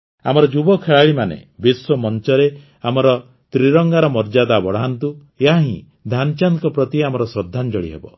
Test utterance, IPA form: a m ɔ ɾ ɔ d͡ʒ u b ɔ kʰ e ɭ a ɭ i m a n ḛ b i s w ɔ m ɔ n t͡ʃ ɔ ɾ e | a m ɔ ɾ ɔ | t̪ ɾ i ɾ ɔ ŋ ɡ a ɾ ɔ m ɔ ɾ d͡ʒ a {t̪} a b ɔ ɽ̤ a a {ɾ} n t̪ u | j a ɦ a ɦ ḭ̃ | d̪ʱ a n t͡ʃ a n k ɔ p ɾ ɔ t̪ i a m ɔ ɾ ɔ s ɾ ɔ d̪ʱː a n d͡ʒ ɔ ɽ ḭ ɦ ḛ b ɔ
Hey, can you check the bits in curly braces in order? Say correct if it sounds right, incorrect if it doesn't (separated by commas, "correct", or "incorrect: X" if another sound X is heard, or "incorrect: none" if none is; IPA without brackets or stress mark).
incorrect: d̪, incorrect: none